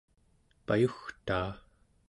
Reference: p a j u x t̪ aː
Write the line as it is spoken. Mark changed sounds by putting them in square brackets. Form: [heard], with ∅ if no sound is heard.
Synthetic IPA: p a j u x t̪ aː